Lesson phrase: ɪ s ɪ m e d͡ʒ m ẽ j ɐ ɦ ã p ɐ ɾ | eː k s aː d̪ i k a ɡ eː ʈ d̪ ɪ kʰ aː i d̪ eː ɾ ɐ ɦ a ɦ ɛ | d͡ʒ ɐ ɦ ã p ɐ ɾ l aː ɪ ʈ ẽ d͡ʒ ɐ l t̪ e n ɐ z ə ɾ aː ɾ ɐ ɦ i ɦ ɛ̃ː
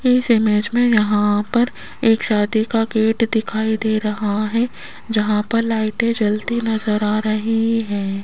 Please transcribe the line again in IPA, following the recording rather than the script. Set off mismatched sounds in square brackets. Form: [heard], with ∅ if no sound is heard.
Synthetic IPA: ɪ s ɪ m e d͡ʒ m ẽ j ɐ ɦ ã p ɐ ɾ | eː k [ʃ] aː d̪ i k a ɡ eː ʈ d̪ ɪ kʰ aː i d̪ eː ɾ ɐ ɦ a ɦ ɛ | d͡ʒ ɐ ɦ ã p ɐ ɾ l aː ɪ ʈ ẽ d͡ʒ ɐ l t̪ [i] n ɐ z ə ɾ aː ɾ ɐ ɦ i ɦ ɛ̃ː

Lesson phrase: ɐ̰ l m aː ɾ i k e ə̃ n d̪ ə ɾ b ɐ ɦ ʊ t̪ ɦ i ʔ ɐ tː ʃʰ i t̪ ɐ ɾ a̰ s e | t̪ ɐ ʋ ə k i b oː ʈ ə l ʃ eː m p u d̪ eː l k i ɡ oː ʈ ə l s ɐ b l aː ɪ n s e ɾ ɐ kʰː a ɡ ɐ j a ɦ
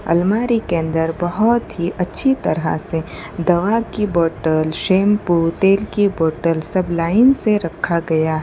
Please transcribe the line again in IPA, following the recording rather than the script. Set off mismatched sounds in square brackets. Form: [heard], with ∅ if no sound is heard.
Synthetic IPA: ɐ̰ l m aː ɾ i k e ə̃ n d̪ ə ɾ b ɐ ɦ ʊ t̪ ɦ i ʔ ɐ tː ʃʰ i t̪ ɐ ɾ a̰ s e | [d̪] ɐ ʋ [a] k i b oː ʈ ə l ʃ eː m p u [t̪] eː l k i [b] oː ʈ ə l s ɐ b l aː ɪ n s e ɾ ɐ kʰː a ɡ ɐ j a ɦ

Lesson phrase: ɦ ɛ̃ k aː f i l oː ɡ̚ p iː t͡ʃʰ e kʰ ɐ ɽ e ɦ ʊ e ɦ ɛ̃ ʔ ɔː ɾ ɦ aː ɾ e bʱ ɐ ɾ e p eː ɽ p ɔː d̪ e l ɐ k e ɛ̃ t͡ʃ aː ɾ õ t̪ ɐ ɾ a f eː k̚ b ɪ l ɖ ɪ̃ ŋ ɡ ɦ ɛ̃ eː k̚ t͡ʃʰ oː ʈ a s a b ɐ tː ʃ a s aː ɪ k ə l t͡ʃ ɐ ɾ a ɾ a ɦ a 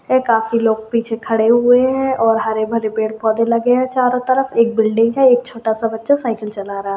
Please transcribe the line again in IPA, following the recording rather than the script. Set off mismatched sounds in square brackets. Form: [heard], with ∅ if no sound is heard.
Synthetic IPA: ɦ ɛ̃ k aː f i l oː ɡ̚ p iː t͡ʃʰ e kʰ ɐ ɽ e ɦ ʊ e ɦ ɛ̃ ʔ ɔː ɾ ɦ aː ɾ e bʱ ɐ ɾ e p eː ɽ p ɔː d̪ e l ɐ [ɡ] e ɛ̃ t͡ʃ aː ɾ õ t̪ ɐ ɾ [ə] f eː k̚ b ɪ l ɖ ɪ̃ ŋ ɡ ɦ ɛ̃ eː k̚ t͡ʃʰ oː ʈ a s a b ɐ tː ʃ a s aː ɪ k ə l t͡ʃ ɐ [l] a ɾ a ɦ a

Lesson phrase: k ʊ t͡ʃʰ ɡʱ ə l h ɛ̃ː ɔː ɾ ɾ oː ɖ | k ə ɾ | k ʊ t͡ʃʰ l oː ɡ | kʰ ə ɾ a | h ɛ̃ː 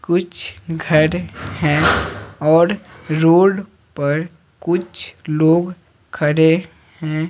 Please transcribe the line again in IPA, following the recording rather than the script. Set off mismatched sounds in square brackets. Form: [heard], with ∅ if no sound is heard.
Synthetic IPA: k ʊ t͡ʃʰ ɡʱ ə [ɾ] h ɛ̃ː ɔː ɾ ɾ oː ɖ | [p] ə ɾ | k ʊ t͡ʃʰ l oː ɡ | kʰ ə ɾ [e] | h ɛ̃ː

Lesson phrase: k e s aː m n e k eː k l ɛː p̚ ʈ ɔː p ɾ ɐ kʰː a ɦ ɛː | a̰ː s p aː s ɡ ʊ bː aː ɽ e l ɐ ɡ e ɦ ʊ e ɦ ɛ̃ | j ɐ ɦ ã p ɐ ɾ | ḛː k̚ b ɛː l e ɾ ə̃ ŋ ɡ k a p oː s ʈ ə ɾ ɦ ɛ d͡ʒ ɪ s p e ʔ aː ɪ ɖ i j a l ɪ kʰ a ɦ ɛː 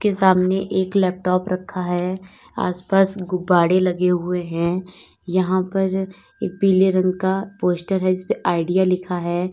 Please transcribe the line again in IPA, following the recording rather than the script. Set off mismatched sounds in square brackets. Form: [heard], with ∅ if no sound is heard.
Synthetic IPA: k e s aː m n e [ʔ] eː k l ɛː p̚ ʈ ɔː p ɾ ɐ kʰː a ɦ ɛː | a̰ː s p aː s ɡ ʊ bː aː ɽ e l ɐ ɡ e ɦ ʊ e ɦ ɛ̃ | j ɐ ɦ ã p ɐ ɾ | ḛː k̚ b [iː] l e ɾ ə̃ ŋ ɡ k a p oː s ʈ ə ɾ ɦ ɛ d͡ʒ ɪ s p e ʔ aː ɪ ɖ i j a l ɪ kʰ a ɦ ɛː

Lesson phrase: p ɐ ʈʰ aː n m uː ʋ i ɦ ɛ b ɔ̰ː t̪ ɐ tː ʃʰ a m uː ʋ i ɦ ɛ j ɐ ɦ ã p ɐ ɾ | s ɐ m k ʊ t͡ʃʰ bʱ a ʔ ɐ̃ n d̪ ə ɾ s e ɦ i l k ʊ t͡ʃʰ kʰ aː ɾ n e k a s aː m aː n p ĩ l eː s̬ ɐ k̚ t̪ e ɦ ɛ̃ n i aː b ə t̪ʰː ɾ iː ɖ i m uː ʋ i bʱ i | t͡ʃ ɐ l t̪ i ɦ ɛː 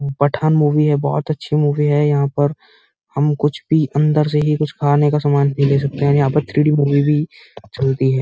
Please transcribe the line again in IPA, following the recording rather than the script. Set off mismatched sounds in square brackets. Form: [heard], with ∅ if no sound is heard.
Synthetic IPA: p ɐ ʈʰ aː n m uː ʋ i ɦ ɛ b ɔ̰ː t̪ ɐ tː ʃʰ [i] m uː ʋ i ɦ ɛ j ɐ ɦ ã p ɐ ɾ | [h] ɐ m k ʊ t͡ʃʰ bʱ [i] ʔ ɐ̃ n d̪ ə ɾ s e ɦ i [∅] k ʊ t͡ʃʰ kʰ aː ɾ n e k a s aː m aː n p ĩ l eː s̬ ɐ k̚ t̪ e ɦ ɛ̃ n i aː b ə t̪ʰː ɾ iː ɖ i m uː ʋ i bʱ i | t͡ʃ ɐ l t̪ i ɦ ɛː

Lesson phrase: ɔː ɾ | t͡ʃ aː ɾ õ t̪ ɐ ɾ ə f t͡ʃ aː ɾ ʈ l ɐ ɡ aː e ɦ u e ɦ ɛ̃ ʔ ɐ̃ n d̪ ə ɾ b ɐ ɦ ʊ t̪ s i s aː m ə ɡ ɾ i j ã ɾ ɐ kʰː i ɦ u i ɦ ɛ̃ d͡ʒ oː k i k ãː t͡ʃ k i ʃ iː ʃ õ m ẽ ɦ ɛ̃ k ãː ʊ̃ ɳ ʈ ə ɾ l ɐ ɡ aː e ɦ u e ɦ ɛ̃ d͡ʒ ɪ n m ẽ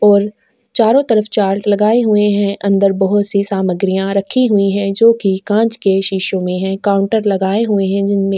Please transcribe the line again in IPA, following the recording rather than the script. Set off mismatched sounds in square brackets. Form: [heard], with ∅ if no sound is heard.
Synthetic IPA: ɔː ɾ | t͡ʃ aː ɾ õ t̪ ɐ ɾ ə f t͡ʃ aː ɾ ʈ l ɐ ɡ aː e ɦ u e ɦ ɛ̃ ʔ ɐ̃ n d̪ ə ɾ b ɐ ɦ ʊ t̪ s i s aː m ə ɡ ɾ i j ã ɾ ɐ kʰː i ɦ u i ɦ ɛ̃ d͡ʒ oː k i k ãː t͡ʃ k [e] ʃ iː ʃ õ m ẽ ɦ ɛ̃ k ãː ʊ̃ ɳ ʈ ə ɾ l ɐ ɡ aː e ɦ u e ɦ ɛ̃ d͡ʒ ɪ n m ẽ

